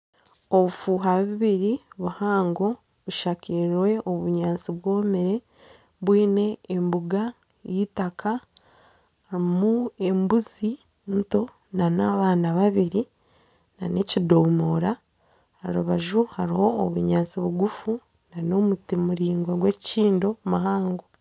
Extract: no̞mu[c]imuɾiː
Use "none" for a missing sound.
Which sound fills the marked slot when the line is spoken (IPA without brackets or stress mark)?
t